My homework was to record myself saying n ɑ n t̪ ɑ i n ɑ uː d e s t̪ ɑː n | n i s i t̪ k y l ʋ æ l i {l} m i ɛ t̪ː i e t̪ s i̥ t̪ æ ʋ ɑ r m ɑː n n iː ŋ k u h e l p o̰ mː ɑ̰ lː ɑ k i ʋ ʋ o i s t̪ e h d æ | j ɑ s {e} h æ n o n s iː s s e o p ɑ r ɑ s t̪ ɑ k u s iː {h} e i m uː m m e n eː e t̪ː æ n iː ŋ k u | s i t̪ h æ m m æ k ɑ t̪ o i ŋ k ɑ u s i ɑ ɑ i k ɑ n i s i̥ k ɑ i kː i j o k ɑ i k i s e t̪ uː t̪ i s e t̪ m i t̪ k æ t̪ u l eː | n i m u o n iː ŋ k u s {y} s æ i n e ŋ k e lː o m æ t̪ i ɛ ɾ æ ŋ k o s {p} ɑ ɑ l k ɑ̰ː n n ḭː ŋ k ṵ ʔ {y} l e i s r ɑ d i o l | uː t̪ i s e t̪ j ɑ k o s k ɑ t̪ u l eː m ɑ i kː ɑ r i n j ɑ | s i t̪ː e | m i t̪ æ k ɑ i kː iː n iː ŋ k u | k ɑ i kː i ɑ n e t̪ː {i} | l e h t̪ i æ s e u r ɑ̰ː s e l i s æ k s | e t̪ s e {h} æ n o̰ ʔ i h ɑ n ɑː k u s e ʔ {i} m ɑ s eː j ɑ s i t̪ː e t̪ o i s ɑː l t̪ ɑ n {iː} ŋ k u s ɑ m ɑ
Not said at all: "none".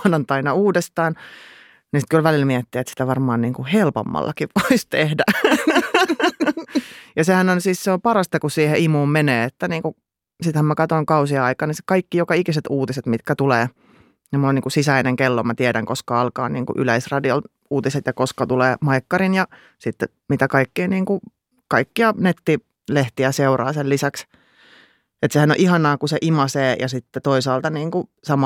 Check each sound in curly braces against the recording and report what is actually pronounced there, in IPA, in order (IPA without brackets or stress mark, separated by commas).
l, e, h, i, k, y, i, h, i, iː